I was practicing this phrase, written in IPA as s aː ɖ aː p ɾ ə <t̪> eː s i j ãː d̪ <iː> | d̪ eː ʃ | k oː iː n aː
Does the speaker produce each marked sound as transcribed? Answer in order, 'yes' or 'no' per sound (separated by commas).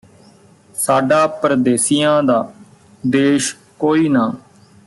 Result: no, no